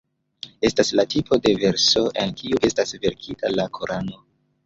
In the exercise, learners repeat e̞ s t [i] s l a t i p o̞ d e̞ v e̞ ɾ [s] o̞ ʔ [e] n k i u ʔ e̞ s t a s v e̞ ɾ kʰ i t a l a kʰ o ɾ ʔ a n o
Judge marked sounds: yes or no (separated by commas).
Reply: no, yes, yes